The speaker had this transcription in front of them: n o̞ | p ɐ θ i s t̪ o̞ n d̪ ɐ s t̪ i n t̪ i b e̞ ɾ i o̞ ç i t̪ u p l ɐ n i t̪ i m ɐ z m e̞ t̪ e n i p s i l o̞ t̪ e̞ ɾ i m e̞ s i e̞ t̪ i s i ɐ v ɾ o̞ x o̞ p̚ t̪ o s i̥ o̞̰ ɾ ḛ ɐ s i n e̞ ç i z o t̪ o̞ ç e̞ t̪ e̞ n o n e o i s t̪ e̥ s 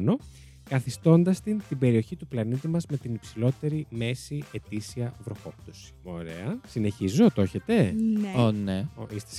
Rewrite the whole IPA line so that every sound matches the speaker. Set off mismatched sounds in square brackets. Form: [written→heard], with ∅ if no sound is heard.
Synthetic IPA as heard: n o̞ | [p→k] ɐ θ i s t̪ o̞ n d̪ ɐ s t̪ i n t̪ i b e̞ ɾ i o̞ ç i t̪ u p l ɐ n i t̪ i m ɐ z m e̞ t̪ [e→i] n i p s i l o̞ t̪ e̞ ɾ i m e̞ s i e̞ t̪ i s i ɐ v ɾ o̞ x o̞ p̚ t̪ o s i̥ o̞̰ ɾ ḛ ɐ s i n e̞ ç i z o t̪ o̞ ç e̞ t̪ e̞ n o n e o i s t̪ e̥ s